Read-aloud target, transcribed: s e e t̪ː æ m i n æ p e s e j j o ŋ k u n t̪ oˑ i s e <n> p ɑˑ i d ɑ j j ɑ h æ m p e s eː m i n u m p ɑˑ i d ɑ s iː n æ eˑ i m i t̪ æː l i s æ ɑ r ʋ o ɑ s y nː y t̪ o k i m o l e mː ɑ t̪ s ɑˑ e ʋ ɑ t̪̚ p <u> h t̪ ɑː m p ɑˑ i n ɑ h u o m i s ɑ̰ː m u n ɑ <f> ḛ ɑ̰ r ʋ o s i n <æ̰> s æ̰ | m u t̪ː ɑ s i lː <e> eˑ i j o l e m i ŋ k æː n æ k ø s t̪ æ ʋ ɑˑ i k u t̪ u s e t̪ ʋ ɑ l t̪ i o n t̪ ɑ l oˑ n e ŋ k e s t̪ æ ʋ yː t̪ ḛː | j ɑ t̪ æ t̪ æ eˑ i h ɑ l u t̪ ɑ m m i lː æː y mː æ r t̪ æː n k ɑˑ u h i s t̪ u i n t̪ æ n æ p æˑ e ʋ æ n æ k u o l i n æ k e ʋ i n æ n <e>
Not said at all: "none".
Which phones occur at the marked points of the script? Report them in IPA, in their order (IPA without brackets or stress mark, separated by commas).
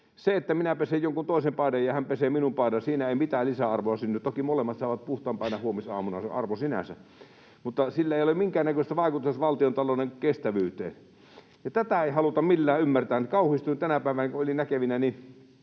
m, u, s, æ̰, æ, i